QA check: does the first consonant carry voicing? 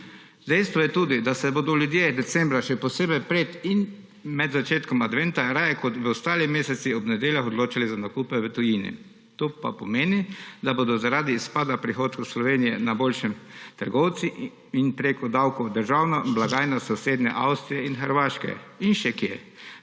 yes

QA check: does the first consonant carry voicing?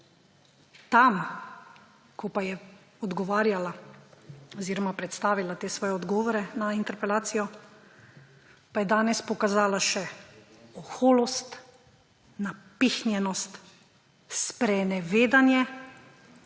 no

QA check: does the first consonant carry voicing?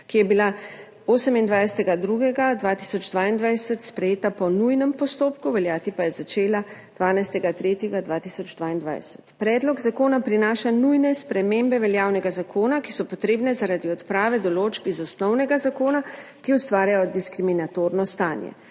no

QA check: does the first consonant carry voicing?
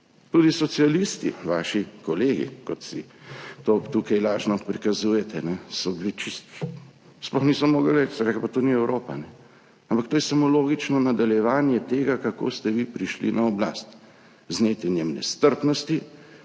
no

